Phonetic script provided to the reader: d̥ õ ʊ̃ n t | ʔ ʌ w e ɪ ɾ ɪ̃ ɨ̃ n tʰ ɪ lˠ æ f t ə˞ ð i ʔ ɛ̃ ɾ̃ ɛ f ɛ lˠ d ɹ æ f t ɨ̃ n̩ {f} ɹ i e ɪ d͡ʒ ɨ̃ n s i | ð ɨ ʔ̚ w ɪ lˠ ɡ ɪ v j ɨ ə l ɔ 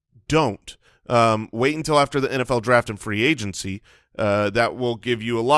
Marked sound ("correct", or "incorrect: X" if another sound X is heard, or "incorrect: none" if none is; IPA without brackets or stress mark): correct